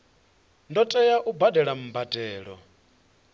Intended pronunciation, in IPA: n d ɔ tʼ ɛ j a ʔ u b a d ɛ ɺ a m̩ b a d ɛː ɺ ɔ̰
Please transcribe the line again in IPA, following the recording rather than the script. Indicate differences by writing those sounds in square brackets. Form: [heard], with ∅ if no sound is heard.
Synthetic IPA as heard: n d ɔ tʼ ɛ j a ʔ u b a d ɛ ɺ a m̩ b a d ɛː ɺ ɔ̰